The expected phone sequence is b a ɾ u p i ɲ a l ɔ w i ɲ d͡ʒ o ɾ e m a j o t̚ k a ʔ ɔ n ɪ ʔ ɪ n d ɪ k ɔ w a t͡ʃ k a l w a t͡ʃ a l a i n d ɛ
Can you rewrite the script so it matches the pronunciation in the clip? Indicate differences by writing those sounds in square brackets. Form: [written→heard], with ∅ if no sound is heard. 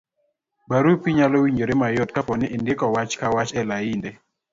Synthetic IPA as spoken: b a ɾ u p i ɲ a l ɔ w i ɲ d͡ʒ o ɾ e m a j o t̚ k a [ʔ→p] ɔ n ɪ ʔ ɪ n d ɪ k ɔ w a t͡ʃ k a [l→∅] w a t͡ʃ [a→ɛ] l a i n d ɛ